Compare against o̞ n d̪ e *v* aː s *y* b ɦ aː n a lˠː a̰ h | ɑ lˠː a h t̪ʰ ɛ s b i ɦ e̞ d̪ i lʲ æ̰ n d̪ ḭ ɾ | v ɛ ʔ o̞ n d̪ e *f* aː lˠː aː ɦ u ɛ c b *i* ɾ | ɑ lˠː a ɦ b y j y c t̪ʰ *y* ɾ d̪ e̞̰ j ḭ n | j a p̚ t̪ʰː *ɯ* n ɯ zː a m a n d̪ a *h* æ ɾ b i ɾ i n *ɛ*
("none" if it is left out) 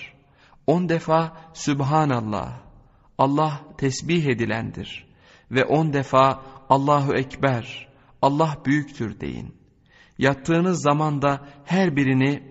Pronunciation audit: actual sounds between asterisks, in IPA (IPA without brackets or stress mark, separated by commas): f, y, f, æ, y, ɯː, h, i